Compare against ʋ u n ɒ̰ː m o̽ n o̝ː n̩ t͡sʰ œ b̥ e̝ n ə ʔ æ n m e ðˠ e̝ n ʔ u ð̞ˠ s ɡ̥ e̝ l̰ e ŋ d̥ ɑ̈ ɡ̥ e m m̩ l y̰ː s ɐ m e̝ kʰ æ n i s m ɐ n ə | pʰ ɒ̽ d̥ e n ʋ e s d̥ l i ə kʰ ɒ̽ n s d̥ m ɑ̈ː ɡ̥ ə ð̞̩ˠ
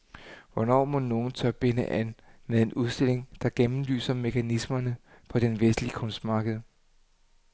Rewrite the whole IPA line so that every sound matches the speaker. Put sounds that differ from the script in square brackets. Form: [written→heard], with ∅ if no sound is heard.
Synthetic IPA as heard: ʋ [u→ɒ] n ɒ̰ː m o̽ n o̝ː n̩ t͡sʰ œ b̥ e̝ n ə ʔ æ n m e ðˠ e̝ n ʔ u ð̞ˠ s [ɡ̥→d̥] e̝ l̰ e ŋ d̥ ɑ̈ ɡ̥ e m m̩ l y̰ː s ɐ m e̝ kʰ æ n i s m ɐ n ə | pʰ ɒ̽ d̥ e n ʋ e s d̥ l i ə kʰ [ɒ̽→ɔ̽] n s d̥ m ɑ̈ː ɡ̥ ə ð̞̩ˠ